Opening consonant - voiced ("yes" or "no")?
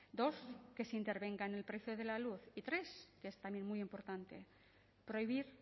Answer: yes